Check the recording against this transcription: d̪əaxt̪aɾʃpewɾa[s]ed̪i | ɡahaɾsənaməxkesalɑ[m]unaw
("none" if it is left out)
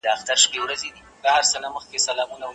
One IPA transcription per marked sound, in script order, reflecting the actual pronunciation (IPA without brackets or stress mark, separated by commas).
z, m